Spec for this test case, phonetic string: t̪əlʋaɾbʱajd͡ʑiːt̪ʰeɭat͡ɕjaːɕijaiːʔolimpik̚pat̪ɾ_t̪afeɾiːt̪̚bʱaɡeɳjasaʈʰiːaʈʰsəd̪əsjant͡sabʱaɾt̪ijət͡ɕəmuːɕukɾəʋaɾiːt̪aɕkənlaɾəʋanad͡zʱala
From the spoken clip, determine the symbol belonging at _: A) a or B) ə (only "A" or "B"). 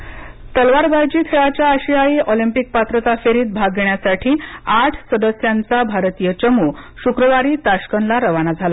B